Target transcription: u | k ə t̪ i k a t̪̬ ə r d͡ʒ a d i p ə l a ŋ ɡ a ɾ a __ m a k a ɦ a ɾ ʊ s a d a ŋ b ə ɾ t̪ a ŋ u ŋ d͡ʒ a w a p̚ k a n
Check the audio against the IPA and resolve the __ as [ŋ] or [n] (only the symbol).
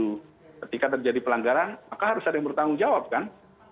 n